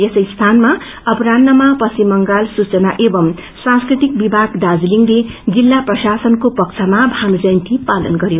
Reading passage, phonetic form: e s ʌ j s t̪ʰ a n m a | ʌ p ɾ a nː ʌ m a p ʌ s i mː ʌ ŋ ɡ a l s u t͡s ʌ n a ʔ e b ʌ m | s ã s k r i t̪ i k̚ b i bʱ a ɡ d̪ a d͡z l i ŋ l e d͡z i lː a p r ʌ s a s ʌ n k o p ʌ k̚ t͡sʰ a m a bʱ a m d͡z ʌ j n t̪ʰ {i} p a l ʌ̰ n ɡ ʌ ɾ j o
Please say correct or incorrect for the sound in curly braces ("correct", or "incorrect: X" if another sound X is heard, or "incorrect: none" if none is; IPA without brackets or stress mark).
correct